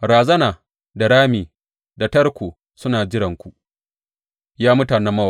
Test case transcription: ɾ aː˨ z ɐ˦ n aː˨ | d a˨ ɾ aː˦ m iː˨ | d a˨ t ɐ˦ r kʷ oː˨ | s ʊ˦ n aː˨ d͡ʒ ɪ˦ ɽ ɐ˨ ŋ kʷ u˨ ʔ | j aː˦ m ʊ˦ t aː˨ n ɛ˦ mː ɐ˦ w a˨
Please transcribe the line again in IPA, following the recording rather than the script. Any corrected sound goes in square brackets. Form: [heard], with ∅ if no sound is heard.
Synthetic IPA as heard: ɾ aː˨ z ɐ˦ n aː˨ | d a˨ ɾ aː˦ m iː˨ | d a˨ t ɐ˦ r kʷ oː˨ | s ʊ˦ n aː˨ d͡ʒ ɪ˦ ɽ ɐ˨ ŋ kʷ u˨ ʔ | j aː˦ m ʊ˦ t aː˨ n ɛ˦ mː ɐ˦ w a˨